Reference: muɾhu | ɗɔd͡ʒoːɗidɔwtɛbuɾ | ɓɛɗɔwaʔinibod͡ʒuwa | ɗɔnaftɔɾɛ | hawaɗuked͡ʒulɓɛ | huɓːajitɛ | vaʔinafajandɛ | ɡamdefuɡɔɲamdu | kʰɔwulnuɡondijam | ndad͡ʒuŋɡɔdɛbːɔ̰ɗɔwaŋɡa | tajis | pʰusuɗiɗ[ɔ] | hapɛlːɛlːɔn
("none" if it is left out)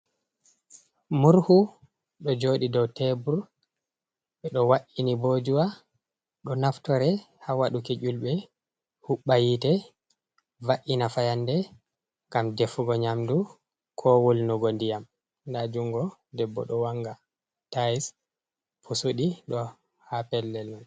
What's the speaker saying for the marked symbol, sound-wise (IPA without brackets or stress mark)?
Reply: ɔ